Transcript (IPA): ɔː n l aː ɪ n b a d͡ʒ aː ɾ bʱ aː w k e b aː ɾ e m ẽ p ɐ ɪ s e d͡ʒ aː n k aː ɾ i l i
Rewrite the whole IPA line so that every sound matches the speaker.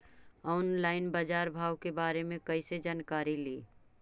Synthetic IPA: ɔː n l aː ɪ n b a d͡ʒ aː ɾ bʱ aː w k e b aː ɾ e m ẽ k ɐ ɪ s e d͡ʒ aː n k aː ɾ i l iː